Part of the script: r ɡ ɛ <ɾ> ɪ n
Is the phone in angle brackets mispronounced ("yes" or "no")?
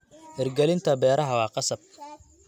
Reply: yes